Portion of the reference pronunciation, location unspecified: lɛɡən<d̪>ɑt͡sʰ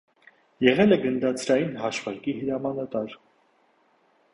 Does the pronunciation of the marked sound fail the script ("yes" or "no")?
no